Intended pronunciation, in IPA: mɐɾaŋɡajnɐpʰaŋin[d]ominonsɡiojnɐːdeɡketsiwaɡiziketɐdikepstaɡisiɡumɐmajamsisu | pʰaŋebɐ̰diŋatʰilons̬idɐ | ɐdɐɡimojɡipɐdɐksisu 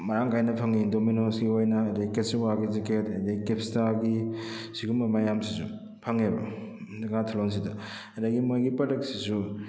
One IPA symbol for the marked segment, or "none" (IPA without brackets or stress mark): d